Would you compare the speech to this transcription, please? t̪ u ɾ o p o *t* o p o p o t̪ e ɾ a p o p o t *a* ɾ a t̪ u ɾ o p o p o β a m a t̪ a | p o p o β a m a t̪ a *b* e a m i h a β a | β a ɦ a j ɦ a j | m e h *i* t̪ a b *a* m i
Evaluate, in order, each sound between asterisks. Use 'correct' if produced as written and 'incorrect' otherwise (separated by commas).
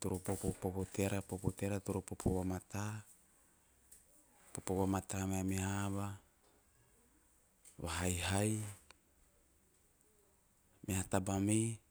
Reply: incorrect, incorrect, incorrect, incorrect, correct